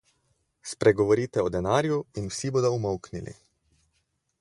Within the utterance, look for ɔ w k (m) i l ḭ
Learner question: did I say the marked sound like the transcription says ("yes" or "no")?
no